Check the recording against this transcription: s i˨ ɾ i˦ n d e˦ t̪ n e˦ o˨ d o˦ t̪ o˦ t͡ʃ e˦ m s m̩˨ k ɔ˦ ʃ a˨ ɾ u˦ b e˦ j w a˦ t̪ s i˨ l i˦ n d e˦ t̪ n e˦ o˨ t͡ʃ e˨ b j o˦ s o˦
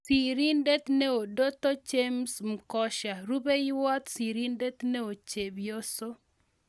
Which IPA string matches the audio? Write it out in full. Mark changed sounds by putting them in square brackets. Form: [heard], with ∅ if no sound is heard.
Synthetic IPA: s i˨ ɾ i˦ n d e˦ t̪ n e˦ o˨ d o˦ t̪ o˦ t͡ʃ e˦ m s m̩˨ k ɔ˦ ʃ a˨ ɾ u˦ b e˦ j w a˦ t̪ s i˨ [ɾ] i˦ n d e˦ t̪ n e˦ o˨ t͡ʃ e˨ b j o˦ s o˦